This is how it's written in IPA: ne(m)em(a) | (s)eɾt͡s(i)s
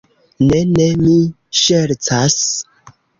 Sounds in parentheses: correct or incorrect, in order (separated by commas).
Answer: incorrect, incorrect, incorrect, incorrect